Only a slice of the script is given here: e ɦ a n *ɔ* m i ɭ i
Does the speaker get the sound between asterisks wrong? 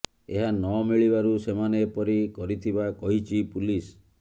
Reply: no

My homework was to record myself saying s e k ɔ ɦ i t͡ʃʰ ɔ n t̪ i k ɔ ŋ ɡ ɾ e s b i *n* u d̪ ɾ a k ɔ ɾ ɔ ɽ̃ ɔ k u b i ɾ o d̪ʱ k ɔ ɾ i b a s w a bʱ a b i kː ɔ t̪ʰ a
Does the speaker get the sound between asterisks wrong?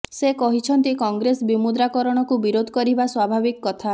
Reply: yes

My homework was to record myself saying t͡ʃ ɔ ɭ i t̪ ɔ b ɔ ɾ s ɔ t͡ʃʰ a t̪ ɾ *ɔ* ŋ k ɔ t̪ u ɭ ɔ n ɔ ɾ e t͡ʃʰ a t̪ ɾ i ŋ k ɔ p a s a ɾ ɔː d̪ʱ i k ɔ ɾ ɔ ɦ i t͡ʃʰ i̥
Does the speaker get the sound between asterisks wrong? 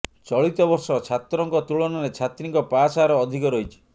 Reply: no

